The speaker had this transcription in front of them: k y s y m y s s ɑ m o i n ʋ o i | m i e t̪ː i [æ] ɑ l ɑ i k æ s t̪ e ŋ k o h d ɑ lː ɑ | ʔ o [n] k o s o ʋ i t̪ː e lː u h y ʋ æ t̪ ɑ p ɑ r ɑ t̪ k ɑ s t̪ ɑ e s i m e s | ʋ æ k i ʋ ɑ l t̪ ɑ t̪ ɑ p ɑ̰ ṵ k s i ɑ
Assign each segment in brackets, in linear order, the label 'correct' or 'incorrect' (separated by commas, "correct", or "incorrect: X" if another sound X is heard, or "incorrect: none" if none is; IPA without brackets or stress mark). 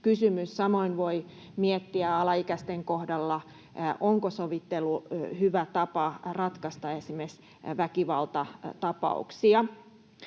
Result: correct, incorrect: ŋ